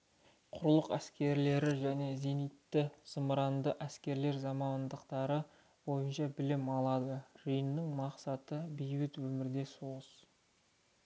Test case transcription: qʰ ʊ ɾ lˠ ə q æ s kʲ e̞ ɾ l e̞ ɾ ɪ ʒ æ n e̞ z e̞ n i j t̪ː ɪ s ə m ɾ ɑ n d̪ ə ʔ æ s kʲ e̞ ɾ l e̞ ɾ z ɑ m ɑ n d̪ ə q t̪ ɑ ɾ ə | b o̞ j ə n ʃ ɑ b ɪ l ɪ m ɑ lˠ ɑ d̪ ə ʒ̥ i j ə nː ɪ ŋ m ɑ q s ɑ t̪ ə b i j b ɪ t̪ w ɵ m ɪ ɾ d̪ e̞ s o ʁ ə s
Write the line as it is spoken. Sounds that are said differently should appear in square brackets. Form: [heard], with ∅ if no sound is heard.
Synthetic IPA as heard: qʰ ʊ ɾ lˠ ə q æ s kʲ e̞ ɾ l e̞ ɾ ɪ ʒ æ n e̞ z e̞ n i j t̪ː ɪ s ə m ɾ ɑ n d̪ ə ʔ æ s kʲ e̞ ɾ l e̞ ɾ z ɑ m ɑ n d̪ ə q t̪ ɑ ɾ ə | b o̞ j ə n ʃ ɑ b ɪ l ɪ m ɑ lˠ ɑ d̪ ə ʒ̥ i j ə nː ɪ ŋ m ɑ q s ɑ t̪ ə b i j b ɪ t̪ w ɵ m ɪ ɾ d̪ e̞ s o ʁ ə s